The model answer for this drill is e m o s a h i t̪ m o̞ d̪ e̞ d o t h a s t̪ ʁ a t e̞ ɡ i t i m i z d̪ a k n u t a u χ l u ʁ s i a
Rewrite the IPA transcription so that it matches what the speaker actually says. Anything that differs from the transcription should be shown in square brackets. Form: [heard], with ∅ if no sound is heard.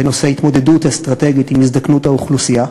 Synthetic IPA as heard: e [n] o s [e] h i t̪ m o̞ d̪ e̞ d [u] t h a s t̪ ʁ a t e̞ ɡ i t i m i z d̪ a k n u t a u χ l u [∅] s i a